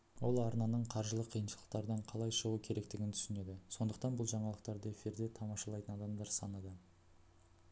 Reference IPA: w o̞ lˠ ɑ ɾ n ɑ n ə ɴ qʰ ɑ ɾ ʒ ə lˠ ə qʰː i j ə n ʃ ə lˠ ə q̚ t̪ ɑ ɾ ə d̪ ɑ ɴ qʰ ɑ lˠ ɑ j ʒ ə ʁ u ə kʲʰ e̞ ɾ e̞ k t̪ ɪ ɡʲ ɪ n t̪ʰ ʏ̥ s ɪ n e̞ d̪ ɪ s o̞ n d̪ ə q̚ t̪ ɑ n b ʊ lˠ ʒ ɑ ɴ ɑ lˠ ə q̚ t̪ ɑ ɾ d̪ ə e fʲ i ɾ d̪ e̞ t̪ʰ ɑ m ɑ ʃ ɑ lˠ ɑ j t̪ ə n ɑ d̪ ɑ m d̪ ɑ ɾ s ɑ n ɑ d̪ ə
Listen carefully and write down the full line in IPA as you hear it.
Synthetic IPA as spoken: w o̞ lˠ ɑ ɾ n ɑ n ə ɴ qʰ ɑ ɾ ʒ ə lˠ ə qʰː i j ə n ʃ ə lˠ ə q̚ t̪ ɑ ɾ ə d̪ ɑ ɴ qʰ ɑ lˠ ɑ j ʃ ə ʁ u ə kʲʰ e̞ ɾ e̞ k t̪ ɪ ɡʲ ɪ n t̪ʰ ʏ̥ s ɪ n e̞ d̪ ɪ s o̞ n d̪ ə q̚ t̪ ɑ n b ʊ lˠ ʒ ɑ ɴ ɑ lˠ ə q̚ t̪ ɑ ɾ d̪ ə e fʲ i ɾ d̪ e̞ t̪ʰ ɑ m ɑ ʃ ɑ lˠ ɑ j t̪ ə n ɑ d̪ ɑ m d̪ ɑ ɾ s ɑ n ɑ d̪ ə